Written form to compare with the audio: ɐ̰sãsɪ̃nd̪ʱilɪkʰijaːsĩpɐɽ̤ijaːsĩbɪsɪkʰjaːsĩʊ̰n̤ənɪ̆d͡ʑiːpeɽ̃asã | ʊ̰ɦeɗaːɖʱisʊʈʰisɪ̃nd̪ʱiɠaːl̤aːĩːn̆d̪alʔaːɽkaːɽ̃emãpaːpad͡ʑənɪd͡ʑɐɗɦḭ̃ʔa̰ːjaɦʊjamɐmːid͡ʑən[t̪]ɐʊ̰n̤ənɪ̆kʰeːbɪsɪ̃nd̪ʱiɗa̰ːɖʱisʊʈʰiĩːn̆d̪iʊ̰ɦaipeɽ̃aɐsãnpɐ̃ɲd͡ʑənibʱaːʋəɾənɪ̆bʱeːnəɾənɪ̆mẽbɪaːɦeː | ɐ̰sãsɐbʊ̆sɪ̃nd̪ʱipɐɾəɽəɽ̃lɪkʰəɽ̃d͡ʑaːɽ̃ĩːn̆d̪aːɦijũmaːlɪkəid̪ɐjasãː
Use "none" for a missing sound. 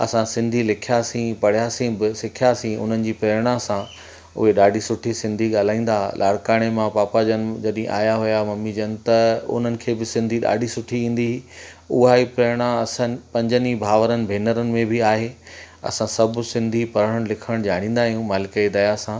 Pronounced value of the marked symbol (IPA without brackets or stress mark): t̪